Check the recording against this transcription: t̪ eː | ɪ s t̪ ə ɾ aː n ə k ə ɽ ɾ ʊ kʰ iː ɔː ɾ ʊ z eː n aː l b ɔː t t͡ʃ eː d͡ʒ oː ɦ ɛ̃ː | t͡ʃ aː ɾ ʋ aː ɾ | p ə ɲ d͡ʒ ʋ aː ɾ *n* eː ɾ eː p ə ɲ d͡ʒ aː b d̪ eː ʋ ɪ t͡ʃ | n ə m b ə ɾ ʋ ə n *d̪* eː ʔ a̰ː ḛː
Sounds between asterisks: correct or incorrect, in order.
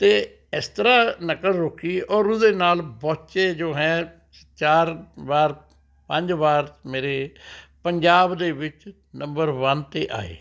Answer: incorrect, incorrect

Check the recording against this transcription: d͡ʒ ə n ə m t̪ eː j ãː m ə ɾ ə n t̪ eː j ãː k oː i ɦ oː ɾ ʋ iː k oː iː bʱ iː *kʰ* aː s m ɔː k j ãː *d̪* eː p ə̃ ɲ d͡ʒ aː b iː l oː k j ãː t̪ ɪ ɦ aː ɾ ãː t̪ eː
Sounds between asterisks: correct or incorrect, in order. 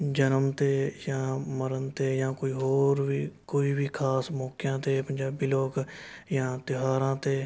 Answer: correct, incorrect

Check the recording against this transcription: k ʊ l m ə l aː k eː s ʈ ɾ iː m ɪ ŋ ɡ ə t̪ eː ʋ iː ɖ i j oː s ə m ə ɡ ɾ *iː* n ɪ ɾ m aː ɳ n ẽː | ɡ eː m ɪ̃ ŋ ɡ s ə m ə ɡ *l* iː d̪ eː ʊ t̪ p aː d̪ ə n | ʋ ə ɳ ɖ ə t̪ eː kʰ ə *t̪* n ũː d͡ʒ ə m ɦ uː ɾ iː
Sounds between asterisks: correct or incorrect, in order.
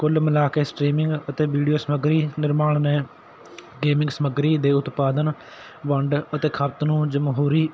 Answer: correct, incorrect, correct

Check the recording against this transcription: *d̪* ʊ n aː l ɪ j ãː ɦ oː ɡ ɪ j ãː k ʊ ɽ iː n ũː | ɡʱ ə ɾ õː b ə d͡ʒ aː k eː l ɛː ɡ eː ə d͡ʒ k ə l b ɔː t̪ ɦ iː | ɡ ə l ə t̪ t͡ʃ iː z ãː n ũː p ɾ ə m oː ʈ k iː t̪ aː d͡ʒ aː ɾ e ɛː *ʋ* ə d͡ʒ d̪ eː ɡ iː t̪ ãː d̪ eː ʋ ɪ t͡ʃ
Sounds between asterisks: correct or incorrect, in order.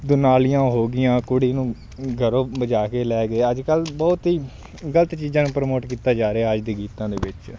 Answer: correct, incorrect

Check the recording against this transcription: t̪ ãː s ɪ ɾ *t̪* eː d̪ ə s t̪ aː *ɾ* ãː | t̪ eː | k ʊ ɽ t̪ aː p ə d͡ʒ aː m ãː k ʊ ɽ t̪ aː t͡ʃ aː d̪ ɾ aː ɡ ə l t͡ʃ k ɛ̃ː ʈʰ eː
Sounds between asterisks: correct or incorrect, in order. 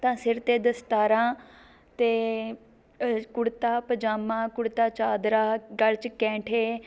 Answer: correct, correct

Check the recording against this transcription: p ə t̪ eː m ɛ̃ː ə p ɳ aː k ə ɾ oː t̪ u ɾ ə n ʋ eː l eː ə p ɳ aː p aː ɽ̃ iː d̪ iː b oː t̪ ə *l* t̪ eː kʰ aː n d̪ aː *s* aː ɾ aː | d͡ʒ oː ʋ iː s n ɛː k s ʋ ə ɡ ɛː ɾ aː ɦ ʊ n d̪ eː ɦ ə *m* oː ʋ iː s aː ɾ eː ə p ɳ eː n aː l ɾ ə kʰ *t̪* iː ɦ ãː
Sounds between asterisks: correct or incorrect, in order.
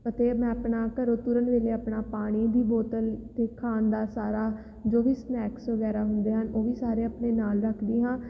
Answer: correct, correct, incorrect, incorrect

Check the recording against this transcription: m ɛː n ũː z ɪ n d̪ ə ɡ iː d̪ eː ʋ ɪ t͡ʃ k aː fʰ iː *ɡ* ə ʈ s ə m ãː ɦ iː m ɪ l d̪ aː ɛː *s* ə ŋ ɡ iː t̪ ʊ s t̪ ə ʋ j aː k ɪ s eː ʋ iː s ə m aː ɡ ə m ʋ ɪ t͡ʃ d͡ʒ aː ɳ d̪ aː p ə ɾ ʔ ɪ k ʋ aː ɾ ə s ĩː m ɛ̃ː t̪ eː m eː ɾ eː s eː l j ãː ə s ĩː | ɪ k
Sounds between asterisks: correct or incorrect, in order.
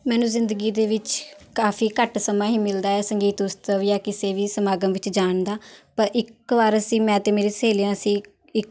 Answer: incorrect, correct

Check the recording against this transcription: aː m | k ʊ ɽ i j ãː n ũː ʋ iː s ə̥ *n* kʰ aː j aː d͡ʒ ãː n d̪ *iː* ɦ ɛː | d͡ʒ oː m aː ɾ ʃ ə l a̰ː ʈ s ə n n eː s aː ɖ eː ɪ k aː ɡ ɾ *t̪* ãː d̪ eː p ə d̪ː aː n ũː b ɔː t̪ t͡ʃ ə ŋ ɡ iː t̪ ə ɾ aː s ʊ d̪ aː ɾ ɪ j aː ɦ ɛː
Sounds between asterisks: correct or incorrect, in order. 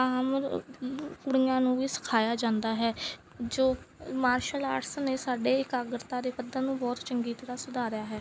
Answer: incorrect, incorrect, correct

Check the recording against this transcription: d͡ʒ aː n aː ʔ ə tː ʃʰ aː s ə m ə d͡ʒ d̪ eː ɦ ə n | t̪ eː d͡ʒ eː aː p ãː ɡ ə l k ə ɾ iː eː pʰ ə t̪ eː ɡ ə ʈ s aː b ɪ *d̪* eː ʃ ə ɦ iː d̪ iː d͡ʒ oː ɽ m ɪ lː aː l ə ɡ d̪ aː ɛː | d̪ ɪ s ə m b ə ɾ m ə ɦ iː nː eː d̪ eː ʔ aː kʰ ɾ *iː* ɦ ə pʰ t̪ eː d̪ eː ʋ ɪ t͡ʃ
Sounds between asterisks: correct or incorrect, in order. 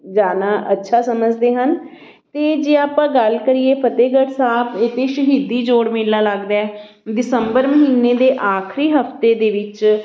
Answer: incorrect, correct

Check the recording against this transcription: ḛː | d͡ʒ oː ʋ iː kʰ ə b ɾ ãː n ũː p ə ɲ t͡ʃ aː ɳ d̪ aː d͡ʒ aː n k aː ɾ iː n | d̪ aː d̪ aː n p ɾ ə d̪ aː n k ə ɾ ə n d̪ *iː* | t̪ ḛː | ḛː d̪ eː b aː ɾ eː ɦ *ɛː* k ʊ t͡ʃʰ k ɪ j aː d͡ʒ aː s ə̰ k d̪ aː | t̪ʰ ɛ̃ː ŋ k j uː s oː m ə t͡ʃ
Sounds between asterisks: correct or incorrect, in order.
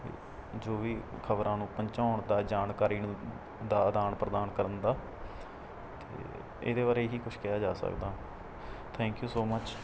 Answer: incorrect, incorrect

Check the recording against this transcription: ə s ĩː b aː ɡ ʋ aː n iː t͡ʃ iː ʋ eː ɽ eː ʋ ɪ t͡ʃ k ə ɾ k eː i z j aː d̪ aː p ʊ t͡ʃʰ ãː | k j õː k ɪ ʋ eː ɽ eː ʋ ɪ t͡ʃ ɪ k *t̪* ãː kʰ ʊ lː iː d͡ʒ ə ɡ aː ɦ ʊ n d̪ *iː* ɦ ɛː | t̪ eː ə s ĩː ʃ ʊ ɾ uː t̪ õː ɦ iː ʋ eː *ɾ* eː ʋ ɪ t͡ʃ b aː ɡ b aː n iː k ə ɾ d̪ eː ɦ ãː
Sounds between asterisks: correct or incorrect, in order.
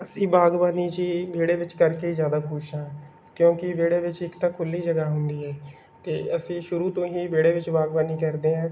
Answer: correct, correct, incorrect

